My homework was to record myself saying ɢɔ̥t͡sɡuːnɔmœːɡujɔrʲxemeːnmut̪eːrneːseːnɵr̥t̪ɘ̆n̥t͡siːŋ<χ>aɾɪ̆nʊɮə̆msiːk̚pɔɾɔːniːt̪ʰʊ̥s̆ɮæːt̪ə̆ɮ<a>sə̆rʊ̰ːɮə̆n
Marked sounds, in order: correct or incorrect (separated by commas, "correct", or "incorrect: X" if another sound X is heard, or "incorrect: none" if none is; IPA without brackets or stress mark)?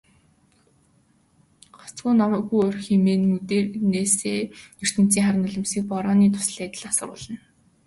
correct, correct